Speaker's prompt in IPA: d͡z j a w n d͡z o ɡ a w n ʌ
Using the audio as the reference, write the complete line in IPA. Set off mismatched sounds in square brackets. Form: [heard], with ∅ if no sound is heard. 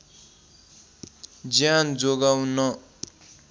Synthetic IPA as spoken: d͡z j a [∅] n d͡z o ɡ a w n ʌ